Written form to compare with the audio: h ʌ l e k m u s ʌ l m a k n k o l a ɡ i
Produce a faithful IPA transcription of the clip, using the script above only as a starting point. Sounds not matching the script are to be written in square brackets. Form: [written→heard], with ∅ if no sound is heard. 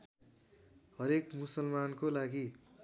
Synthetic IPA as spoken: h ʌ [l→ɾ] e k m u s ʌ l m a [k→∅] n k o l a ɡ i